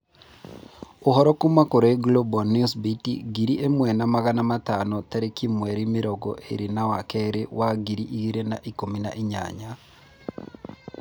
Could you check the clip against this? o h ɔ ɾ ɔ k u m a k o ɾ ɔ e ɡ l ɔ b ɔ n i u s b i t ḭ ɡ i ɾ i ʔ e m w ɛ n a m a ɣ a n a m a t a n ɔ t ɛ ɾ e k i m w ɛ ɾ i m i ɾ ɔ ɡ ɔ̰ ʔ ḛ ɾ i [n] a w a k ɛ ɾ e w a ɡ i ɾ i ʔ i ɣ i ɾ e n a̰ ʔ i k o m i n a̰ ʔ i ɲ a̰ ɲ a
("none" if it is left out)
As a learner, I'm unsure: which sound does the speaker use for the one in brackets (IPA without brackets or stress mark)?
n